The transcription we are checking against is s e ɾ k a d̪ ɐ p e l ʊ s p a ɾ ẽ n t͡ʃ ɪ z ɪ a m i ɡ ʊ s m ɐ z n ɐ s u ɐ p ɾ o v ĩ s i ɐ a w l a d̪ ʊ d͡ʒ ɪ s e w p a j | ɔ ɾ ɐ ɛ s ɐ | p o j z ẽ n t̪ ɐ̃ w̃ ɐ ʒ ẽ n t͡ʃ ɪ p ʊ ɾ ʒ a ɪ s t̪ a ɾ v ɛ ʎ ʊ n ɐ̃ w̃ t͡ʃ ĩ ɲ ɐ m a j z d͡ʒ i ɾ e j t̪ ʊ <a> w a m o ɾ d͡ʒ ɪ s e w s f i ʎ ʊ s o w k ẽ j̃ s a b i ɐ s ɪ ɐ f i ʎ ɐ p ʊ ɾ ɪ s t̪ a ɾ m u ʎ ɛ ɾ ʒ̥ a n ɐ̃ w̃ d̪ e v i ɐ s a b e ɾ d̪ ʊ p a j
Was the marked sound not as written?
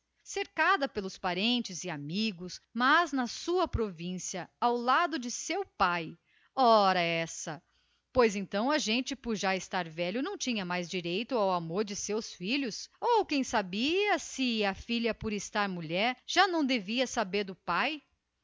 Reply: no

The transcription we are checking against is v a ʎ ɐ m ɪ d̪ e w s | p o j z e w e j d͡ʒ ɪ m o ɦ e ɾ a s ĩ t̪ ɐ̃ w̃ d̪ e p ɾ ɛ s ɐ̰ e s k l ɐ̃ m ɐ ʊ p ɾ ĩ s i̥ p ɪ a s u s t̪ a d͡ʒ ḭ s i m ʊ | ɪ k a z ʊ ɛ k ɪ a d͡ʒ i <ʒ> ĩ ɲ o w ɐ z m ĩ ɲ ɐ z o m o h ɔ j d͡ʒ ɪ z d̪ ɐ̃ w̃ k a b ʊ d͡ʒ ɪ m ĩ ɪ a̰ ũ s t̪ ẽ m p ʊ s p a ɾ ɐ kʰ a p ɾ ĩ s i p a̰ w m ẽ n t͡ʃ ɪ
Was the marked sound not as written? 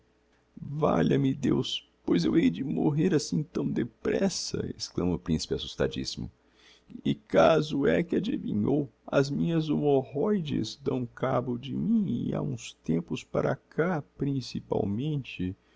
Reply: yes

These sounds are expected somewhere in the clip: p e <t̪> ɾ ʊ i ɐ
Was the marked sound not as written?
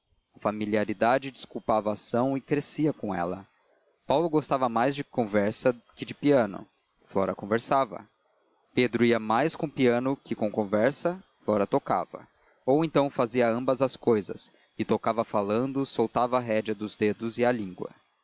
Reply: yes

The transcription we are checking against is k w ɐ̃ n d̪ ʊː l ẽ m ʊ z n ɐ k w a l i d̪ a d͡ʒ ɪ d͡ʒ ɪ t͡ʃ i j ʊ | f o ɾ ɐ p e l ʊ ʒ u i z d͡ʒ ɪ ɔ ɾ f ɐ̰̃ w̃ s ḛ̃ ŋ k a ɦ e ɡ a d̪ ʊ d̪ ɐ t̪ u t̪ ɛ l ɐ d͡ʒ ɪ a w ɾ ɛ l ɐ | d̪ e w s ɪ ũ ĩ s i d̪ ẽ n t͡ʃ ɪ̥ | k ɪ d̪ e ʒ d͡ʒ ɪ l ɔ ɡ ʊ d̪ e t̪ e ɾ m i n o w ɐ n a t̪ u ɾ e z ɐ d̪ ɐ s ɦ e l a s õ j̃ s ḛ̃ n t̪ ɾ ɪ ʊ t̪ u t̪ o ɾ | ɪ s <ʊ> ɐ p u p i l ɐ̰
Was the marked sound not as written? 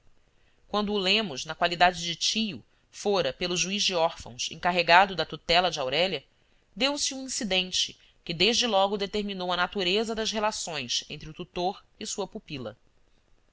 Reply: yes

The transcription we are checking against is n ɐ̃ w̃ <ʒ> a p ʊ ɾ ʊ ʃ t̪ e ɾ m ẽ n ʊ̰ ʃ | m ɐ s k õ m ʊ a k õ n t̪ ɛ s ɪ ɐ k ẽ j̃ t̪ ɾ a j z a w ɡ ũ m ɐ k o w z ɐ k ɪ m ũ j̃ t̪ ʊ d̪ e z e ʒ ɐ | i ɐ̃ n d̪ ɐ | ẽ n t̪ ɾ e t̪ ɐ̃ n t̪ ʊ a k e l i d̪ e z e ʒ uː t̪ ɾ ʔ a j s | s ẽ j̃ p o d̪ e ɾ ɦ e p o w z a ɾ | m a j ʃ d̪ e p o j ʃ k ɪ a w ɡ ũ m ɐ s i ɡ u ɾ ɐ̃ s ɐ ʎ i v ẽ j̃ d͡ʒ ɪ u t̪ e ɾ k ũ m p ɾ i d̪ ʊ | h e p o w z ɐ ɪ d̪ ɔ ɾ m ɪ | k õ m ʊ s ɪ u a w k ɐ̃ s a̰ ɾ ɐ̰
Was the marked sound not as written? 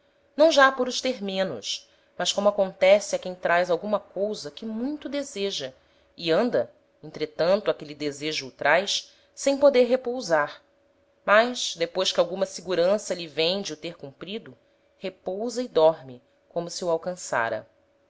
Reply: no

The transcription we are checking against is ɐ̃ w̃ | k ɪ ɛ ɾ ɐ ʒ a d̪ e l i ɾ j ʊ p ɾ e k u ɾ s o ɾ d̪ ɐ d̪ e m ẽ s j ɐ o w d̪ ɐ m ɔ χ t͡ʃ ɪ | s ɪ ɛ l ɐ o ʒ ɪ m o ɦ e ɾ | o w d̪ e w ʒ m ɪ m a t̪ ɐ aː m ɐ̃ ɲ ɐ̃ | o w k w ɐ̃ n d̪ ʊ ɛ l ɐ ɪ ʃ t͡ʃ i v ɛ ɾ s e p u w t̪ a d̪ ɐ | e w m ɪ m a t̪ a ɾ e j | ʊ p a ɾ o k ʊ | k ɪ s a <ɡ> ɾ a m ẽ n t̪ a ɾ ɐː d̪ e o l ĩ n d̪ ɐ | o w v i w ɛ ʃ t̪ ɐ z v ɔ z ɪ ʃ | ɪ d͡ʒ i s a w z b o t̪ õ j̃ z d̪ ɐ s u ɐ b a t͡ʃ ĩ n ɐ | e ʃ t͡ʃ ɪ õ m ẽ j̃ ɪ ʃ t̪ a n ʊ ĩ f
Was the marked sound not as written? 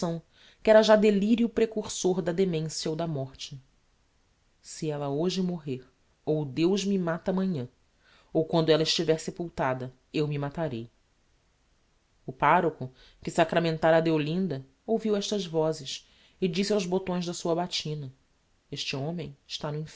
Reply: yes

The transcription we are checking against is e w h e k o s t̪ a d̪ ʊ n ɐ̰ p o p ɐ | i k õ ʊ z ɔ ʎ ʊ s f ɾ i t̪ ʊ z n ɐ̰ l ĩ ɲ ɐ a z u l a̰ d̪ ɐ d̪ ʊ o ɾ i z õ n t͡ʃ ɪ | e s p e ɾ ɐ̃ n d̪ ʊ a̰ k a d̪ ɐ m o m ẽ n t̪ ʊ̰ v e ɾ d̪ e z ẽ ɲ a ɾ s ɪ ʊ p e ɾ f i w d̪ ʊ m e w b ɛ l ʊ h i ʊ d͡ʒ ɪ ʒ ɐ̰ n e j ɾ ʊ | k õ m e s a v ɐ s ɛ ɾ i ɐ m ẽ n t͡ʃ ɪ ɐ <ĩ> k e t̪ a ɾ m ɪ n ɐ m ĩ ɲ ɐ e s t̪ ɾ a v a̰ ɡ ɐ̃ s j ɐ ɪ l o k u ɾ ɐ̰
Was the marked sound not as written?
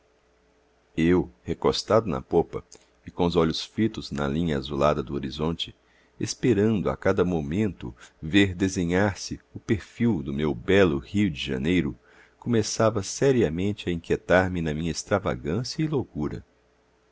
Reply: no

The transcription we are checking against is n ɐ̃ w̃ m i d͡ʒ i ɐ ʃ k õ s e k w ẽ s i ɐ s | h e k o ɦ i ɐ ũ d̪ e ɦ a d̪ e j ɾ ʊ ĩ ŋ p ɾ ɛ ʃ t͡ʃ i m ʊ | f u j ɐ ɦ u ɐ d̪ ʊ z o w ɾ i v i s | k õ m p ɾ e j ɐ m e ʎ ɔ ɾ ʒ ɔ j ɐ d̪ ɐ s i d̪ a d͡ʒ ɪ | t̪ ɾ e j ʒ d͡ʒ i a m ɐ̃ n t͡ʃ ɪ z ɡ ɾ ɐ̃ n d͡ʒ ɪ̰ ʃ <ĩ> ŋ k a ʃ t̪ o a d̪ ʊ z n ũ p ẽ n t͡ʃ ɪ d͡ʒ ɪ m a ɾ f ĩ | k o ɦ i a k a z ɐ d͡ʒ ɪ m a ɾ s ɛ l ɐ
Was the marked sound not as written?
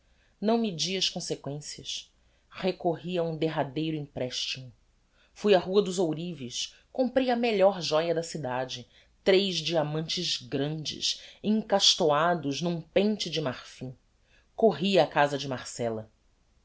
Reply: yes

